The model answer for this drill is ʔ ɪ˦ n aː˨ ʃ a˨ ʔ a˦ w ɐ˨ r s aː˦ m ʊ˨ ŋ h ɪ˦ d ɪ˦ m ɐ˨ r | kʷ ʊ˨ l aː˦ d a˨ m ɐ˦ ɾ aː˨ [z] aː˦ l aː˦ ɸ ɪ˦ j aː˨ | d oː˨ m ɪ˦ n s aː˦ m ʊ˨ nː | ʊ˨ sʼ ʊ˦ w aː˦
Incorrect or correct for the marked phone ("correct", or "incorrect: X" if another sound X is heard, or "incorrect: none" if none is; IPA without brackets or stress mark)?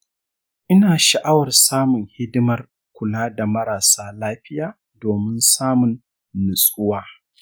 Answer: incorrect: s